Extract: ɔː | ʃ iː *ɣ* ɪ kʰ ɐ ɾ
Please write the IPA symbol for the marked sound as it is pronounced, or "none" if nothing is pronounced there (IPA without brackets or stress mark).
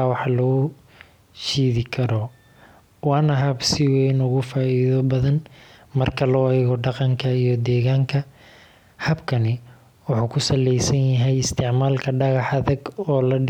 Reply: ð